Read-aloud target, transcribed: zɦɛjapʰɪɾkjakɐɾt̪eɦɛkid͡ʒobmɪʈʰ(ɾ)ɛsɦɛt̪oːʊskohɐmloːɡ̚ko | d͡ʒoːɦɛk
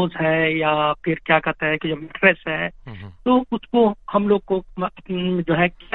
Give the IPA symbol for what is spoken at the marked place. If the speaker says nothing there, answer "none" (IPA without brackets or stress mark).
ɾ